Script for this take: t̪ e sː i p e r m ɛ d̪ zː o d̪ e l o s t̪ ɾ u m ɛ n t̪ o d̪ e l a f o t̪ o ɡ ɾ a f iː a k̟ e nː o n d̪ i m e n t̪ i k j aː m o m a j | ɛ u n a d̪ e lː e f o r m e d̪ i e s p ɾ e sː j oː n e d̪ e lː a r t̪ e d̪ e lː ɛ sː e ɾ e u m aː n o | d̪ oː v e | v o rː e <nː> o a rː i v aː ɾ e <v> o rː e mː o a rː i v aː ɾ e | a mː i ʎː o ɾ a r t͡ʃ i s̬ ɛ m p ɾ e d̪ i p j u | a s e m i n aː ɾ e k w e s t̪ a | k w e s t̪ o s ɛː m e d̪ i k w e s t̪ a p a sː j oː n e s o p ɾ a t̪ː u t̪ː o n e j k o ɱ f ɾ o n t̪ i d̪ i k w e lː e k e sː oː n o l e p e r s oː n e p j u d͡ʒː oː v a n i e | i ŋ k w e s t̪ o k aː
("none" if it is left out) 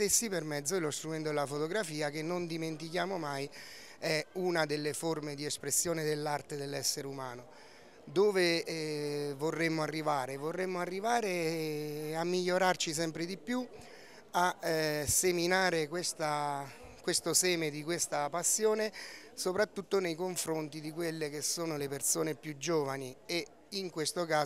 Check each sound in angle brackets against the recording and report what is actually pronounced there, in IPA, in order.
mː, v

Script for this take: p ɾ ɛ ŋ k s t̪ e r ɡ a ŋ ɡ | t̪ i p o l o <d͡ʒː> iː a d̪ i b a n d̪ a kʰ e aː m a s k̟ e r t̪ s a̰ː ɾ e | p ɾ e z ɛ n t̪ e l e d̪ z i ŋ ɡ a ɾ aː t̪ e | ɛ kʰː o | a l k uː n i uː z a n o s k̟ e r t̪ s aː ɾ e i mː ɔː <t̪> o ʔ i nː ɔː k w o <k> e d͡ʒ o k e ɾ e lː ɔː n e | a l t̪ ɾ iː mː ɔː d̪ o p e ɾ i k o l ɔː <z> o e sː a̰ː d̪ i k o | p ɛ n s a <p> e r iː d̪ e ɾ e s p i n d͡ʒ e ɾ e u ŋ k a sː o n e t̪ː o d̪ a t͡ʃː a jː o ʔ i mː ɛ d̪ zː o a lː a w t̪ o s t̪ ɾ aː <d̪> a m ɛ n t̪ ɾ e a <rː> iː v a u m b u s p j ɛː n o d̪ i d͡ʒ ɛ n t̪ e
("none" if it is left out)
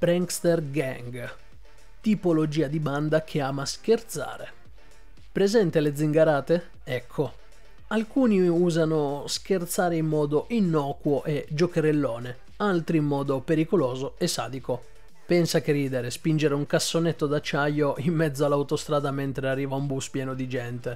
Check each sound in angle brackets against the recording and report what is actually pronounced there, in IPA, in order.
d͡ʒ, d̪, ʔ, z, k, d̪, rː

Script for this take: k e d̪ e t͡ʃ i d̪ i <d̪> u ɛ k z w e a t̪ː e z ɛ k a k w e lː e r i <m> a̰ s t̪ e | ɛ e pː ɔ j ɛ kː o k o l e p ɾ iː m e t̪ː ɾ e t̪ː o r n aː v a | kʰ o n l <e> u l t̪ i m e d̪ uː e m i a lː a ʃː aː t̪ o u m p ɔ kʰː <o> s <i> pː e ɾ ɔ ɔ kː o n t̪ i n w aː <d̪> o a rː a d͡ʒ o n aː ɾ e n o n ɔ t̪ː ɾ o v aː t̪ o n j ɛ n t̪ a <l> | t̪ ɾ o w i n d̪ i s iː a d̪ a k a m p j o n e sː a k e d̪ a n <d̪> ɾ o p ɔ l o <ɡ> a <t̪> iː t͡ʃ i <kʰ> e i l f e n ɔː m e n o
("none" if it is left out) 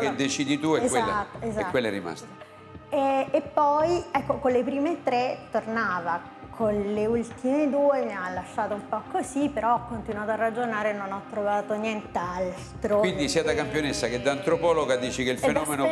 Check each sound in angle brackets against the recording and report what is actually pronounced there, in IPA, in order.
t̪, m, e, o, i, t̪, l, t̪, ɡ, d̪, k

